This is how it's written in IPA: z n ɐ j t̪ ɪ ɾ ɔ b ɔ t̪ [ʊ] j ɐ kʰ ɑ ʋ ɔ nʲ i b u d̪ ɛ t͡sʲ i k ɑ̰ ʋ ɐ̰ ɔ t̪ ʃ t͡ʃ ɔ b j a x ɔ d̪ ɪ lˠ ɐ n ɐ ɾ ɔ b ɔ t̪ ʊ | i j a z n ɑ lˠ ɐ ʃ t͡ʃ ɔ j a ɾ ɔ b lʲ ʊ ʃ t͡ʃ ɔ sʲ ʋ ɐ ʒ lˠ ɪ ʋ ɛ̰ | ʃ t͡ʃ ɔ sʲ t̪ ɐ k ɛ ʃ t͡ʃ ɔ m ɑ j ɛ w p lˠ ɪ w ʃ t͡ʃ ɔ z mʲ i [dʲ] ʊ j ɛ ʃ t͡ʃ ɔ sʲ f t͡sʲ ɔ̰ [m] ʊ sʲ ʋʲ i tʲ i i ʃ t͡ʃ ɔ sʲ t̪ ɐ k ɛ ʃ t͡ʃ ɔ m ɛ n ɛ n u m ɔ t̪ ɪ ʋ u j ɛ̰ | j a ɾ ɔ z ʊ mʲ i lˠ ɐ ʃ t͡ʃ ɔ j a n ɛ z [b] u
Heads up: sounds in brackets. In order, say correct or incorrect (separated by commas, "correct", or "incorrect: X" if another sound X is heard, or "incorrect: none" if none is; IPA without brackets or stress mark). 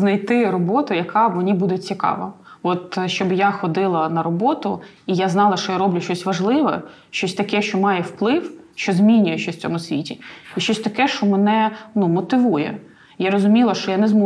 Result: correct, incorrect: nʲ, correct, incorrect: m